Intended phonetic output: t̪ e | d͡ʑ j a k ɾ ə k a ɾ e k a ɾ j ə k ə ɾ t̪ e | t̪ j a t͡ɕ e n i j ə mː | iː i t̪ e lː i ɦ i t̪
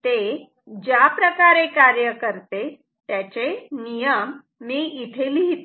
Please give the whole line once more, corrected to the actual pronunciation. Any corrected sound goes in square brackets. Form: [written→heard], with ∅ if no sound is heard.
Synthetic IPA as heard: t̪ e | d͡ʑ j a [k→p] ɾ ə k a ɾ e k a ɾ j ə k ə ɾ t̪ e | t̪ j a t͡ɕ e n i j ə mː | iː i [t̪→t̪ʰ] e [lː→l] i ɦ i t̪